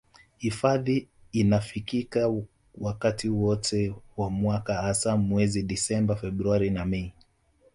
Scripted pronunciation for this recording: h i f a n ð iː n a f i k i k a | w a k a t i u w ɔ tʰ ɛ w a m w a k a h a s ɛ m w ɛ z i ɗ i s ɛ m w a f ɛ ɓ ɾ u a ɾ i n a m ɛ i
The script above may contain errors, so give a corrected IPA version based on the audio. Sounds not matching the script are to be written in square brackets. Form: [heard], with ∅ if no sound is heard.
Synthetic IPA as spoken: h i f a [∅] ð iː n a f i k i k a | w a k a t i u w ɔ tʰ ɛ w a m w a k a h a s [a] m w ɛ z i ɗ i s ɛ m [b] a f ɛ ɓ ɾ u a ɾ i n a m ɛ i